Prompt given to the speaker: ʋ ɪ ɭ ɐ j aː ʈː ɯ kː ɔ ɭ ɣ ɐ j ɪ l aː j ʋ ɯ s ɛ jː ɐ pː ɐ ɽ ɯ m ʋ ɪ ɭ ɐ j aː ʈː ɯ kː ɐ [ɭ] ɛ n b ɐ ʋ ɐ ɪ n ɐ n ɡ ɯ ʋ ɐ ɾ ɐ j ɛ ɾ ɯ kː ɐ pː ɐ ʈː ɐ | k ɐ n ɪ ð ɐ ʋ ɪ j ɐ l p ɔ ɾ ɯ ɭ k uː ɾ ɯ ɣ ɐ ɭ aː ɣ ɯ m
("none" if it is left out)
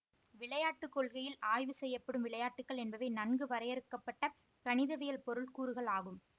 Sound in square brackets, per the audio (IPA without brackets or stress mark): ɭ